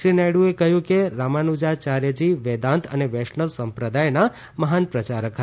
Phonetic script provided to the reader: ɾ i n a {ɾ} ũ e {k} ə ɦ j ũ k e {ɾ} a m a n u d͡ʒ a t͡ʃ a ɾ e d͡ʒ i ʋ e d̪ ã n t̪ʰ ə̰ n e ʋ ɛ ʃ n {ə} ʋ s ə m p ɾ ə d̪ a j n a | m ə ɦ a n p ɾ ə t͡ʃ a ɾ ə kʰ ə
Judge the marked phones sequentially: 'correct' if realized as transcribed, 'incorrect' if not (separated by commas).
incorrect, correct, correct, correct